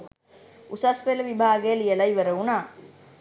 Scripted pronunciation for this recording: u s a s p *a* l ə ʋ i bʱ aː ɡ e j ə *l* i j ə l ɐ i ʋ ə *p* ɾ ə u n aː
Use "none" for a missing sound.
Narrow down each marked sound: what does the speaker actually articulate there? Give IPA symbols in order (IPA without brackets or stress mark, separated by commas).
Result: e, l, none